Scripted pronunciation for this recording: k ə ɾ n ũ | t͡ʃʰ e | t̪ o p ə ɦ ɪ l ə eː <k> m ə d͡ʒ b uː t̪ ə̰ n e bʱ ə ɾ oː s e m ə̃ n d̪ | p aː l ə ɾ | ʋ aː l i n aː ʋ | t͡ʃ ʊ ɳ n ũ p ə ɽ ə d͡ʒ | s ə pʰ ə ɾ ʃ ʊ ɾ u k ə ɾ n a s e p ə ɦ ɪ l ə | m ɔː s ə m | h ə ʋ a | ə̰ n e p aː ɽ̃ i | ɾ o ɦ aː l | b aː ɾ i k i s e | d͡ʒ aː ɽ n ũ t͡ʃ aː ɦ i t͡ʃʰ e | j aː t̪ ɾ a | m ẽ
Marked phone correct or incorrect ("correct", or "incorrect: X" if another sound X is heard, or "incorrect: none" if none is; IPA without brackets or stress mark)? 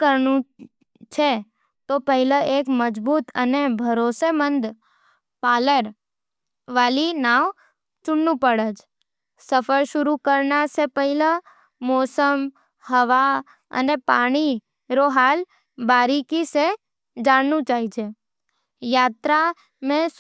correct